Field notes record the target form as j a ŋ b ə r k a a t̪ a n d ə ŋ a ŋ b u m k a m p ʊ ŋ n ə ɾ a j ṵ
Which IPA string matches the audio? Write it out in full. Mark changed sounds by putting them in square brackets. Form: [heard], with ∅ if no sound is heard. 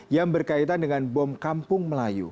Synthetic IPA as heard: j a ŋ b ə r k a [i] t̪ a n d ə ŋ a [n] b [ɔ] m k a m p ʊ ŋ [m] ə [l] a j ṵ